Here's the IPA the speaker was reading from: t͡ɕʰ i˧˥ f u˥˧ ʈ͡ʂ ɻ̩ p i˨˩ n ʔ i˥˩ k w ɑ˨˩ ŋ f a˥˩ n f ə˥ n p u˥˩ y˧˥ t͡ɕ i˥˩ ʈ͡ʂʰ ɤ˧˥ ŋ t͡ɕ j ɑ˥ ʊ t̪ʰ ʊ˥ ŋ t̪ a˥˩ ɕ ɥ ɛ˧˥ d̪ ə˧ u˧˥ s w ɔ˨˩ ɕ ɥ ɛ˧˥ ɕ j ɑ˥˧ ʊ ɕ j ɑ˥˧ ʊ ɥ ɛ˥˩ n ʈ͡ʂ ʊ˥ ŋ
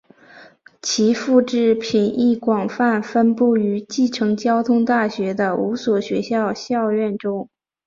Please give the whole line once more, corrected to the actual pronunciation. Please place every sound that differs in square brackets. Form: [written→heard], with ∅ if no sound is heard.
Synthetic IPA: t͡ɕʰ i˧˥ f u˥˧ ʈ͡ʂ ɻ̩ [p→pʰ] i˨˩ n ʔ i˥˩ k w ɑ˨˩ ŋ f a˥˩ n f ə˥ n p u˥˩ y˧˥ t͡ɕ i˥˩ ʈ͡ʂʰ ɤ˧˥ ŋ t͡ɕ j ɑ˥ ʊ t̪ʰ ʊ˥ ŋ t̪ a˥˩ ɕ ɥ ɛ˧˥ d̪ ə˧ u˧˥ s w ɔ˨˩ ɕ ɥ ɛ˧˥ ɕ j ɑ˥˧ ʊ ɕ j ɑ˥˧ ʊ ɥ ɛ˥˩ n ʈ͡ʂ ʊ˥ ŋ